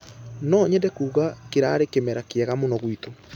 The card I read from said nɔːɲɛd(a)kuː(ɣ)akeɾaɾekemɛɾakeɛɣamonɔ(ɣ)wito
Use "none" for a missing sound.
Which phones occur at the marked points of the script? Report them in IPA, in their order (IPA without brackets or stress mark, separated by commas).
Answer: ɛ, ɣ, ɣ